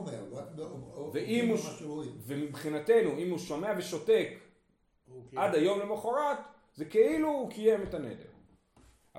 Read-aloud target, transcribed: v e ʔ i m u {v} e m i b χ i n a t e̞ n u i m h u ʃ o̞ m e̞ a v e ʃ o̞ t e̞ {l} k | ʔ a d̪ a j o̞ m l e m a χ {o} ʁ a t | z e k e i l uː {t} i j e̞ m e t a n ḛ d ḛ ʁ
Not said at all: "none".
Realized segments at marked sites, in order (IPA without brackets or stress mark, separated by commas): v, none, o, k